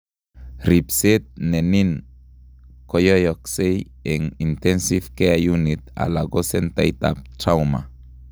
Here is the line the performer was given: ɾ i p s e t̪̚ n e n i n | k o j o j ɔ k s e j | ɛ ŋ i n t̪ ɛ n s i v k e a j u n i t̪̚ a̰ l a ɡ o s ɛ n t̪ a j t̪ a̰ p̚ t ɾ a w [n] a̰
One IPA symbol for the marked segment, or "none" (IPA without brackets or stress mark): m